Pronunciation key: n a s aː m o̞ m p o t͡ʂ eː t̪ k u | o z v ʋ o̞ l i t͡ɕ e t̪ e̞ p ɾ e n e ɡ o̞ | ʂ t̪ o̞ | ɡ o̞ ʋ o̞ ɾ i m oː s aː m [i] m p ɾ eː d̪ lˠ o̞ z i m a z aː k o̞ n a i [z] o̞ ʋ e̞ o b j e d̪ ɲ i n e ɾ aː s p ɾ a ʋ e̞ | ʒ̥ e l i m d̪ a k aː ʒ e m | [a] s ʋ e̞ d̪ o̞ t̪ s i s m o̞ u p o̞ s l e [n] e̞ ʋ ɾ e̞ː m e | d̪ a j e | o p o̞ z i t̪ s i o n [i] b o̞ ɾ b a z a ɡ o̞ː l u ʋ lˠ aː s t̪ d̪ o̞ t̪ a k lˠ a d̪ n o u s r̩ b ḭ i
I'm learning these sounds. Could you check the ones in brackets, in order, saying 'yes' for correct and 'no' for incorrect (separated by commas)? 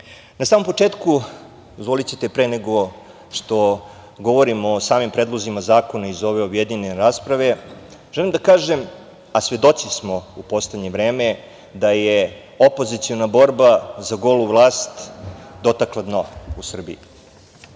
yes, yes, yes, no, no